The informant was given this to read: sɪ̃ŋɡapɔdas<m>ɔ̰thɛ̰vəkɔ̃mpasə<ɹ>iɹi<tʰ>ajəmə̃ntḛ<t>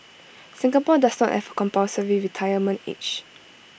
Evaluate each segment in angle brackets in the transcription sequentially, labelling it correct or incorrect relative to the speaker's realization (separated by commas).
incorrect, correct, correct, incorrect